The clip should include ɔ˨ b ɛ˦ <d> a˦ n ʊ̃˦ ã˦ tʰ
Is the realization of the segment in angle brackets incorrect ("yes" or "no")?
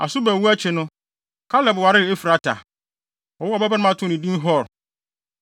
yes